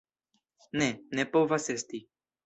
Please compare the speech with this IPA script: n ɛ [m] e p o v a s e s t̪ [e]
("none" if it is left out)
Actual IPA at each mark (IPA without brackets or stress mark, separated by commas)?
n, i